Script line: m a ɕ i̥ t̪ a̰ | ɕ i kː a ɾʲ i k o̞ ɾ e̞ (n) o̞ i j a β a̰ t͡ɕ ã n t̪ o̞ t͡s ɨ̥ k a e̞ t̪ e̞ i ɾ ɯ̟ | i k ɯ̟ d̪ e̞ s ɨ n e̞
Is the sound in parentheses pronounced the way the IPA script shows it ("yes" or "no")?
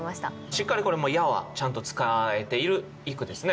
no